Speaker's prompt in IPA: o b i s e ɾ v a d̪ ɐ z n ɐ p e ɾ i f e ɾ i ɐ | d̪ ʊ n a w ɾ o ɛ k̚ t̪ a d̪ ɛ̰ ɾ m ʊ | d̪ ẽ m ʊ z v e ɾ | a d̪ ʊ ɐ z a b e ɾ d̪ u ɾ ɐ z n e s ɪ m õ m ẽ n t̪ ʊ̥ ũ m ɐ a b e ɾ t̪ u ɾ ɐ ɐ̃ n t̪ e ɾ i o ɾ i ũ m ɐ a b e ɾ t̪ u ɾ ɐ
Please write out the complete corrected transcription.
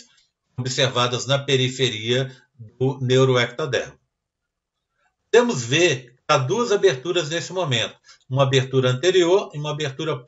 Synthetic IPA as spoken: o b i s e ɾ v a d̪ ɐ z n ɐ p e ɾ i f e ɾ i ɐ | d̪ ʊ n e w ɾ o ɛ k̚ t̪ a d̪ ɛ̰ ɾ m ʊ | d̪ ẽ m ʊ z v e ɾ | a d̪ u ɐ z a b e ɾ t̪ u ɾ ɐ z n e s ɪ m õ m ẽ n t̪ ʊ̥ ũ m ɐ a b e ɾ t̪ u ɾ ɐ ɐ̃ n t̪ e ɾ i o ɾ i ũ m ɐ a b e ɾ t̪ u ɾ ɐ